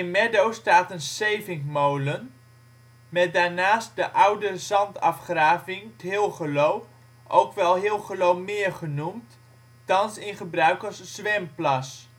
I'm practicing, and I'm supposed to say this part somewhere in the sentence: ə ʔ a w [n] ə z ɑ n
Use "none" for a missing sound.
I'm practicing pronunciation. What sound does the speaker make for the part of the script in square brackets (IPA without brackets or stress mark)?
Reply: d